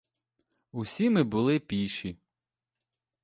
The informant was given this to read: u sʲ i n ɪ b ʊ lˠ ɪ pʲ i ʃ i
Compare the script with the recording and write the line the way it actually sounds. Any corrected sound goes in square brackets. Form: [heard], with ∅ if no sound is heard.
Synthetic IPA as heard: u sʲ i [m] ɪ b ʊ lˠ ɪ pʲ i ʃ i